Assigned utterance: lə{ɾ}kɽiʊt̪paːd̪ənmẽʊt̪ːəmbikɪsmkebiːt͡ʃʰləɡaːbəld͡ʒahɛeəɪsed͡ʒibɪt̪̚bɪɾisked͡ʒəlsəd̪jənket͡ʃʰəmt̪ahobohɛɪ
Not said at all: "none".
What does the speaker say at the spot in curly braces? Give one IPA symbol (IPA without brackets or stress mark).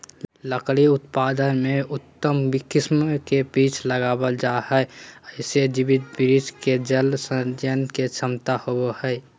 none